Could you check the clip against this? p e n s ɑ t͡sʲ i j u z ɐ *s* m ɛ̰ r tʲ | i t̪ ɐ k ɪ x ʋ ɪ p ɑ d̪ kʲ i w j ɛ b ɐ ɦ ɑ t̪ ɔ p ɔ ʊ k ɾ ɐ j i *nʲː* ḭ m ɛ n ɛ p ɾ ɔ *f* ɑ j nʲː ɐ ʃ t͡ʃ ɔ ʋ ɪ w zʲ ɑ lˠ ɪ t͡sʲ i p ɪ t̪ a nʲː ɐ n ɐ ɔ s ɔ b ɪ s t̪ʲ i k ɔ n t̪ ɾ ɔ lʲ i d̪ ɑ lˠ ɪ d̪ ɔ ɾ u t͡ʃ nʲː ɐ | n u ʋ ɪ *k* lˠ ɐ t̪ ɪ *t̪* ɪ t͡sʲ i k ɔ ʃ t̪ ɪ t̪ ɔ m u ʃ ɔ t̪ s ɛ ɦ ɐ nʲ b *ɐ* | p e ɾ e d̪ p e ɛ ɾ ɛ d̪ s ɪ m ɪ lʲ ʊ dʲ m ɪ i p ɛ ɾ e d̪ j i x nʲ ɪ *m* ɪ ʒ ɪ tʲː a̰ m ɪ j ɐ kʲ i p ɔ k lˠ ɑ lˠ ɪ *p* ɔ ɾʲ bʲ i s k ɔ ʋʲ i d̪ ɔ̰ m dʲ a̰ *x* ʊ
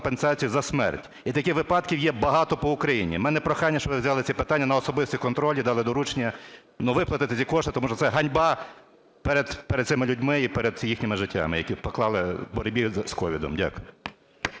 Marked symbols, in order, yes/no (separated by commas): yes, no, no, no, yes, no, yes, no, no